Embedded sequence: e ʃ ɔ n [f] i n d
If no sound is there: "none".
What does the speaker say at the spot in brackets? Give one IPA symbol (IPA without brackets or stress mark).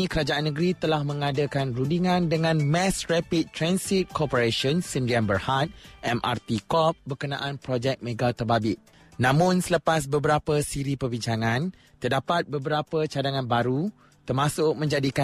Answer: s